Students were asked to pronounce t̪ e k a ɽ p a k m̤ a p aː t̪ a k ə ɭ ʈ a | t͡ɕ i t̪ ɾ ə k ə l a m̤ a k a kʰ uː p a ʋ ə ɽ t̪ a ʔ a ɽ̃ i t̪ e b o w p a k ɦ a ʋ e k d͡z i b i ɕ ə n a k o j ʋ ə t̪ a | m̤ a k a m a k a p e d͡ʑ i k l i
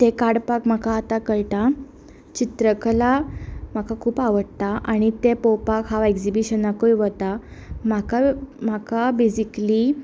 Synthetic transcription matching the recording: t̪ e k a ɽ p a k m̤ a k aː t̪ a k ə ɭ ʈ a | t͡ɕ i t̪ ɾ ə k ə l a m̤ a k a kʰ uː p a ʋ ə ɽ t̪ a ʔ a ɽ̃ i t̪ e p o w p a k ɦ a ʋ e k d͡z i b i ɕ ə n a k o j ʋ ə t̪ a | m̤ a k a m a k a b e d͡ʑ i k l i